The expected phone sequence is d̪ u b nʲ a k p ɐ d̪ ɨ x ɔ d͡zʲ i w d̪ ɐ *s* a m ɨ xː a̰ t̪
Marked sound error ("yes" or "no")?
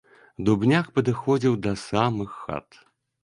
no